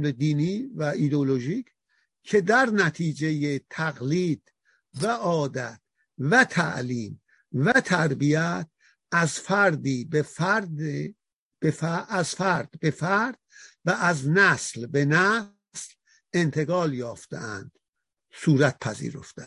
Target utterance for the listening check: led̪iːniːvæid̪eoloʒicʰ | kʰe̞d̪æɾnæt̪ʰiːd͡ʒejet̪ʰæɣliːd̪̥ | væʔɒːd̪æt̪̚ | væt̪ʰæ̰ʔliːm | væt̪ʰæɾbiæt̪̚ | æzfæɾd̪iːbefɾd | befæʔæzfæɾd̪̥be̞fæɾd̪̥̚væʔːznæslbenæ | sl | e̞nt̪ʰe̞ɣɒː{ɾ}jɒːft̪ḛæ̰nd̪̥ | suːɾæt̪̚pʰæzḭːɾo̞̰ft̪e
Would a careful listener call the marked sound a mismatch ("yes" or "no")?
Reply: yes